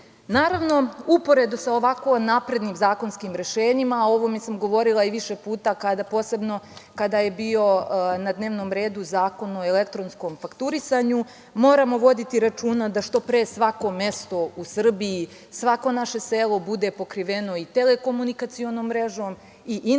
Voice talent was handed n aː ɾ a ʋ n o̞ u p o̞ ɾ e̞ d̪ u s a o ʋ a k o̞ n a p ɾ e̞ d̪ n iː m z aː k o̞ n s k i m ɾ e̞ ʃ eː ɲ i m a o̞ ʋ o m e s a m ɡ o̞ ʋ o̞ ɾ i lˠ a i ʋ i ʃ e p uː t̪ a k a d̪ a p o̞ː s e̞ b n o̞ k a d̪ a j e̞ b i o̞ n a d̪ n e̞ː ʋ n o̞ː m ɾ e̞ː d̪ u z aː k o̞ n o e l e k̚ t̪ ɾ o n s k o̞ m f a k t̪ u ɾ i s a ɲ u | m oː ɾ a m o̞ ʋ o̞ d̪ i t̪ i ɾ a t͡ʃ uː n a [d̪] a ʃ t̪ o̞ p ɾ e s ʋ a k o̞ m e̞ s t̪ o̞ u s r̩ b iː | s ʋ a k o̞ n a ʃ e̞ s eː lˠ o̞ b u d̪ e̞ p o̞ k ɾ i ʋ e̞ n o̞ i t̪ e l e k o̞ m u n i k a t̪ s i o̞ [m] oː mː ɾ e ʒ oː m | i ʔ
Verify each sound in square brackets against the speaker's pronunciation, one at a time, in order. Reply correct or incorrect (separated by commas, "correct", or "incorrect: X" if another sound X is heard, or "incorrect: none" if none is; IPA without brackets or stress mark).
correct, incorrect: n